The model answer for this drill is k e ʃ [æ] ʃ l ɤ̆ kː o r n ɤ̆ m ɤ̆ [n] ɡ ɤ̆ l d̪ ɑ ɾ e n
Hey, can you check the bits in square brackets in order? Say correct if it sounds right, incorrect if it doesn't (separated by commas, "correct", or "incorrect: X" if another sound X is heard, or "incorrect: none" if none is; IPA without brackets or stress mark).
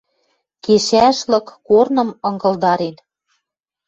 correct, incorrect: ŋ